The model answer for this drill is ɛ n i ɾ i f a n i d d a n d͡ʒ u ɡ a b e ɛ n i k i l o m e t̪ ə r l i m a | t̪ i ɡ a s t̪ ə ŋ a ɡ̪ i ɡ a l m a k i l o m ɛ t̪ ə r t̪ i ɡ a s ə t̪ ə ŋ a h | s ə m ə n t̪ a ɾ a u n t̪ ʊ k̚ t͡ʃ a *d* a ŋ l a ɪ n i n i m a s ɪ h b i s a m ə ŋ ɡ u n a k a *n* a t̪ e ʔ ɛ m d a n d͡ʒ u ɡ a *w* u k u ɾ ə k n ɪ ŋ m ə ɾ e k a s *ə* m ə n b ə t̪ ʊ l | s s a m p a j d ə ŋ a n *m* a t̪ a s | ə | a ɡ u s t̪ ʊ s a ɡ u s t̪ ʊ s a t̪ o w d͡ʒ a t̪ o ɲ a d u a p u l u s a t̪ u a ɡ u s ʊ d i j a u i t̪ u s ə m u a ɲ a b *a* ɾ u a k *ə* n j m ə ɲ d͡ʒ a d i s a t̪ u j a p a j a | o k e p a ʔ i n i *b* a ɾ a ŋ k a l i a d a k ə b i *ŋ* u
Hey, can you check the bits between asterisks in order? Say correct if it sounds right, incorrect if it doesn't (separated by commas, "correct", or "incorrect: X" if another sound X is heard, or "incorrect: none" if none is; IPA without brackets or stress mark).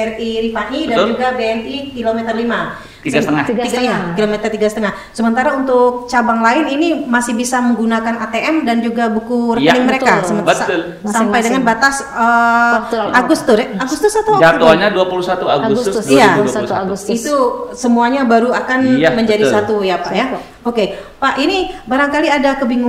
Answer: incorrect: b, correct, incorrect: b, correct, incorrect: b, correct, incorrect: a, correct, correct